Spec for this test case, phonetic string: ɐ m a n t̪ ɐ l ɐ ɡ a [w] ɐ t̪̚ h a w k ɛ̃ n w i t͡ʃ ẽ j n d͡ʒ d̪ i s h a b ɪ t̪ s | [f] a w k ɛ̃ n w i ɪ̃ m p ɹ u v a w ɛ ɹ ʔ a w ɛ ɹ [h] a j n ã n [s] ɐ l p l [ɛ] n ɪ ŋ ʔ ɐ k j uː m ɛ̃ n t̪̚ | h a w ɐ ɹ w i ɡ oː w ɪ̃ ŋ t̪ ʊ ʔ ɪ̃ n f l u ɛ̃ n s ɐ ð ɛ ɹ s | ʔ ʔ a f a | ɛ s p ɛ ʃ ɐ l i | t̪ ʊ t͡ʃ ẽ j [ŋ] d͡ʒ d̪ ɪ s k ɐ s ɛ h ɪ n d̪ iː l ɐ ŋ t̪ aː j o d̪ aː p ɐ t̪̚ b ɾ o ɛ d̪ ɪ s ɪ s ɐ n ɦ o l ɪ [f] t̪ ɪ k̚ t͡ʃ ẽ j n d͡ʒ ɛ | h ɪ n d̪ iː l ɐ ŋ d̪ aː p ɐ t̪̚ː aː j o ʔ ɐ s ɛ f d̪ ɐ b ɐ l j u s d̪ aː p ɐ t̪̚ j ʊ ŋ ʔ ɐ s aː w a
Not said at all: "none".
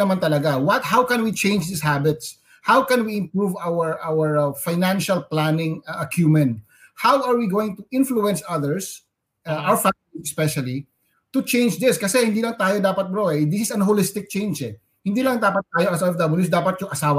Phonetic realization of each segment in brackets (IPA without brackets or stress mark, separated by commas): w, h, f, ʃ, a, n, s